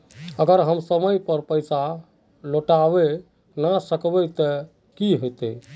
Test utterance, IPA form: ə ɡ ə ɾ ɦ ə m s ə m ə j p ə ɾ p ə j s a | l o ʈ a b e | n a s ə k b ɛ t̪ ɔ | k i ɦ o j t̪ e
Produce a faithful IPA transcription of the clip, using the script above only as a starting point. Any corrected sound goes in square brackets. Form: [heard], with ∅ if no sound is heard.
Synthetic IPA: ə ɡ ə ɾ ɦ ə m s ə m ə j p ə ɾ p ə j s a | l o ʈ a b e | n a s ə k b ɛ t̪ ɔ | k i ɦ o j t̪ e

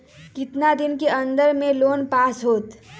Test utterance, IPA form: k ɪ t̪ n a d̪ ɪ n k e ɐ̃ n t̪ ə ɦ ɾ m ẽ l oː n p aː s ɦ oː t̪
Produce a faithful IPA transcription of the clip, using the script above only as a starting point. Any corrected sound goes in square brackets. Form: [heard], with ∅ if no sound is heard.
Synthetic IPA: k ɪ t̪ n a d̪ ɪ n k e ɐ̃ n [d̪] ə [∅] ɾ m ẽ l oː n p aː s ɦ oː t̪

